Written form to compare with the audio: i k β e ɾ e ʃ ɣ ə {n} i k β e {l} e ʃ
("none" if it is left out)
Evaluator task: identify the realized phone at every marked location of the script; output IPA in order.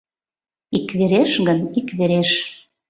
n, ɾ

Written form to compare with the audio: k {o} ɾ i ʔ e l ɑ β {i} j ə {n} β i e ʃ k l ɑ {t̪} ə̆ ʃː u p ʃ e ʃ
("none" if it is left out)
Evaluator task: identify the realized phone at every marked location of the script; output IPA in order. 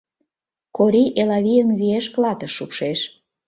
o, i, m, t̪

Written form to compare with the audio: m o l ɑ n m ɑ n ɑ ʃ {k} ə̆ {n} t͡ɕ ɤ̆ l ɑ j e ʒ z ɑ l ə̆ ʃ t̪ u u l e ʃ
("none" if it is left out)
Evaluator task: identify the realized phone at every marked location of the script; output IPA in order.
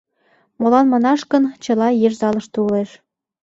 k, n

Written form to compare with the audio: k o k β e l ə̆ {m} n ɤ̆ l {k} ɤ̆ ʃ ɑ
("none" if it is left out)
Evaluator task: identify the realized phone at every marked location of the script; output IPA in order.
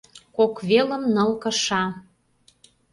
m, k

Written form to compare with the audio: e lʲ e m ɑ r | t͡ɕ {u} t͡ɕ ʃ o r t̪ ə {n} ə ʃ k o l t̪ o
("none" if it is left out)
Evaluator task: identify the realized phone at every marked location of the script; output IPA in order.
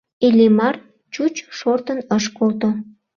u, n

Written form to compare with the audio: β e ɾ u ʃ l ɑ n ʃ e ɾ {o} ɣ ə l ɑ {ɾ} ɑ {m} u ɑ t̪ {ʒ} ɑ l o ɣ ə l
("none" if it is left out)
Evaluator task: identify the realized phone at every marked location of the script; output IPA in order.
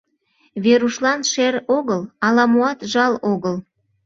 o, l, m, ʒ

